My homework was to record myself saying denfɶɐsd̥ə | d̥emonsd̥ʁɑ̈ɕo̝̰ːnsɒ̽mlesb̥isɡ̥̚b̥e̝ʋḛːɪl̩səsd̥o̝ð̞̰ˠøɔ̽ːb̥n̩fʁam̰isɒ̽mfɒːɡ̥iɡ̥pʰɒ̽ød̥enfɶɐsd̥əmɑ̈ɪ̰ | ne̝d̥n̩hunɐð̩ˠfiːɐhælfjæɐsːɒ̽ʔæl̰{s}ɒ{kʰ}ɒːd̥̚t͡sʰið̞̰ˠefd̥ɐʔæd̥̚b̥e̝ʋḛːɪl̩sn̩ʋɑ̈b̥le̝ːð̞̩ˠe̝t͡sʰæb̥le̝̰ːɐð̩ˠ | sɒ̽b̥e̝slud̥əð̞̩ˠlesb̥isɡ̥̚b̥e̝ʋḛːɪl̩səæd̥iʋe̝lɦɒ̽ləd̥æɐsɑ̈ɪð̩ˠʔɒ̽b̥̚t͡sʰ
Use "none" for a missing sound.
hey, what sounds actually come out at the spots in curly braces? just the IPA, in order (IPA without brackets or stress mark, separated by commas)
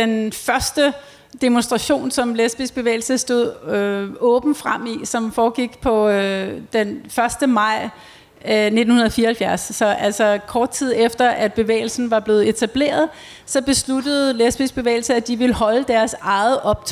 s, kʰ